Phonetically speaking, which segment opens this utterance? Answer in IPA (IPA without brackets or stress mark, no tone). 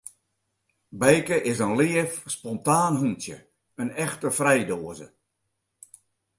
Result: b